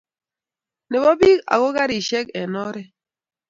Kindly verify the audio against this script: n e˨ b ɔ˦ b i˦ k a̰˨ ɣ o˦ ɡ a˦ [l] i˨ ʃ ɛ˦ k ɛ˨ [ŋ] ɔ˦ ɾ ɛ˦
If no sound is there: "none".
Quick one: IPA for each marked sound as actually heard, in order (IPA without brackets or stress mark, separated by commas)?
ɾ, n